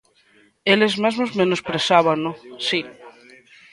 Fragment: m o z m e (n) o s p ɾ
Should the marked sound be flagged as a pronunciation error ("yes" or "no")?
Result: no